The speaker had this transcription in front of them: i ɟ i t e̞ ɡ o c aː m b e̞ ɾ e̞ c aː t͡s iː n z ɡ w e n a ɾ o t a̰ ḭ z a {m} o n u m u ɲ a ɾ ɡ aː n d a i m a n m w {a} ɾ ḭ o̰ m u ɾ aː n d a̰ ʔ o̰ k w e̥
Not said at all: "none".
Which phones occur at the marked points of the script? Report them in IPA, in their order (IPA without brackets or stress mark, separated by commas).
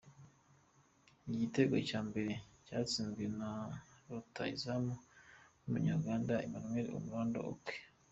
m, e